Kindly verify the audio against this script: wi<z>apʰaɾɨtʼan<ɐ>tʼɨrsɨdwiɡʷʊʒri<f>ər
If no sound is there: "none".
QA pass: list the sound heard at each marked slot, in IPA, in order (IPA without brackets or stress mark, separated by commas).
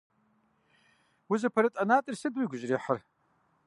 z, a, ħ